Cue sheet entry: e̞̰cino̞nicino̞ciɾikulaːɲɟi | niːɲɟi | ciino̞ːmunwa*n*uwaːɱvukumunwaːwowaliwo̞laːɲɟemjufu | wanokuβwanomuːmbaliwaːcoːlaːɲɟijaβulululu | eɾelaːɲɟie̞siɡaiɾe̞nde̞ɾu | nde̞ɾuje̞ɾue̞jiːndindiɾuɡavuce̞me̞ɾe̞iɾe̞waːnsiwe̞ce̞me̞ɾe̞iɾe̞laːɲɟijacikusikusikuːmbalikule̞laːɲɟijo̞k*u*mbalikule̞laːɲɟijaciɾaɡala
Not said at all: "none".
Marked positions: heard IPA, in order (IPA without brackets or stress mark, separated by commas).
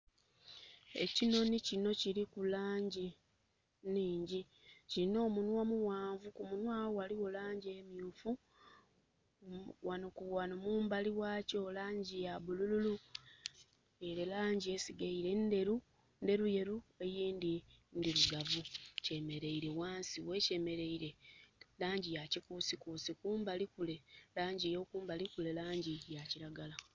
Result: m, uː